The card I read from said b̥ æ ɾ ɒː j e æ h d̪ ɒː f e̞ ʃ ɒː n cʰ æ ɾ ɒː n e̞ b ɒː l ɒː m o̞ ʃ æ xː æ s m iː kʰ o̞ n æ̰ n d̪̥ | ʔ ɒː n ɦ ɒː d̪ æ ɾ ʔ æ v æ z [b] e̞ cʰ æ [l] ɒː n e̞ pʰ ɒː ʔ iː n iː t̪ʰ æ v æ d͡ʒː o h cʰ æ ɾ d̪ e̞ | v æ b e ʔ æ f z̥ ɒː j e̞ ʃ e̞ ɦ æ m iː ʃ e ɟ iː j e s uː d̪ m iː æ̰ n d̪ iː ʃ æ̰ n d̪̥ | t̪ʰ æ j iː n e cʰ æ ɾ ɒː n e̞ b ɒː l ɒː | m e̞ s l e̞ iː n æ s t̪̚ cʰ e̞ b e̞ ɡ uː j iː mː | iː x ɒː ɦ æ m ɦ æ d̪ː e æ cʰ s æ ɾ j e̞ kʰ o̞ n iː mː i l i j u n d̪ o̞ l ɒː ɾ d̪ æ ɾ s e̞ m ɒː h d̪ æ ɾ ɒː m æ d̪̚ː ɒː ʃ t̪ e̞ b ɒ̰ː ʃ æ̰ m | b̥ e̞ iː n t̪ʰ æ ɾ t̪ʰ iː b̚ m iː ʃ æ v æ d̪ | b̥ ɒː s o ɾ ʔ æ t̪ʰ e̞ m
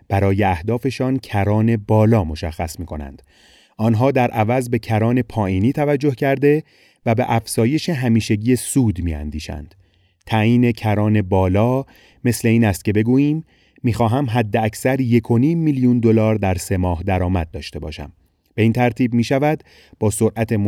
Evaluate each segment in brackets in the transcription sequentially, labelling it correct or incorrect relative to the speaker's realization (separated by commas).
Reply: correct, incorrect